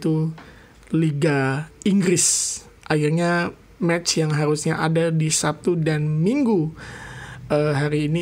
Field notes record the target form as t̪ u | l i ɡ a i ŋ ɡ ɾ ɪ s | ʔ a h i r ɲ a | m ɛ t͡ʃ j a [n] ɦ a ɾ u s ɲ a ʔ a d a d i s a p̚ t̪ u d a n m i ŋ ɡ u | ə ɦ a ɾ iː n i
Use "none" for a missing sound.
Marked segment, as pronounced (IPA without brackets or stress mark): ŋ